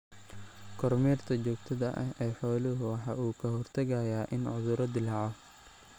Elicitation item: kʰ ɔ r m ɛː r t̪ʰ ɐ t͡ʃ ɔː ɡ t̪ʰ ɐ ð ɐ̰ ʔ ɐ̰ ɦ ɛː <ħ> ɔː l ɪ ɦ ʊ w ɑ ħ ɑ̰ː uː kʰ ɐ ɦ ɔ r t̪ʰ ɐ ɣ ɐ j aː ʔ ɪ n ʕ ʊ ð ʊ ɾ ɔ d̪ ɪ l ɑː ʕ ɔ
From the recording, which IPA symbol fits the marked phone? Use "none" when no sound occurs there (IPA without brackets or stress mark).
ħ